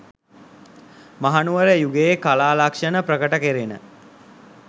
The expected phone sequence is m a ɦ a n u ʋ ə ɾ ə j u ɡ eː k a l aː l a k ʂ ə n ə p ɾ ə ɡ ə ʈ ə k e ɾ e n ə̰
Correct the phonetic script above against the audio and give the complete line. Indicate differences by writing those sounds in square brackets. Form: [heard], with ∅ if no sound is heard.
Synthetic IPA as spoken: m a ɦ a n u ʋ ə ɾ ə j u ɡ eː k a l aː l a k ʂ ə n ə p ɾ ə [k] ə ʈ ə k e ɾ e n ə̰